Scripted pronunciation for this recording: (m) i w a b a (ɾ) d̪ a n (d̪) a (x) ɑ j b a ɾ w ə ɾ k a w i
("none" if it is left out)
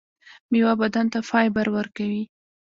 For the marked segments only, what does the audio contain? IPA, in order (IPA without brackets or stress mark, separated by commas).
m, none, t̪, f